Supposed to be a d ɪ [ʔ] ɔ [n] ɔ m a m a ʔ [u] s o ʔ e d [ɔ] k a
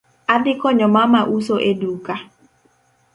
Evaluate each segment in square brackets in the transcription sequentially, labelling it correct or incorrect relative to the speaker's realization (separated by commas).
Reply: incorrect, incorrect, correct, incorrect